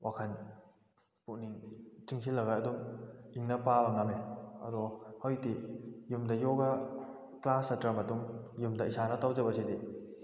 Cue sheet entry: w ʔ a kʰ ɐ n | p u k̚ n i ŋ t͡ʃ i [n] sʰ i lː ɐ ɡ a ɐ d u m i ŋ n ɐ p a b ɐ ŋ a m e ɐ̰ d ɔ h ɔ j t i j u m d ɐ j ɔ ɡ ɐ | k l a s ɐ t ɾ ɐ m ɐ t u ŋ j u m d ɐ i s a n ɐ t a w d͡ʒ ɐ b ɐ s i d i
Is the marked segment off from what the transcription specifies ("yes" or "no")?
yes